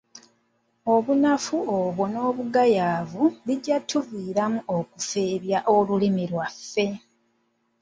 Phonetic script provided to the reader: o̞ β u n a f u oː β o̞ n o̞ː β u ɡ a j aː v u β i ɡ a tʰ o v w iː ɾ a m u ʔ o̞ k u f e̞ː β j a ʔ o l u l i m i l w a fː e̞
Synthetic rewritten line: o̞ β u n a f u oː β o̞ n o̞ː β u ɡ a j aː v u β i ɟ a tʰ u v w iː ɾ a m u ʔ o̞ k u f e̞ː β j a ʔ o l u l i m i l w a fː e̞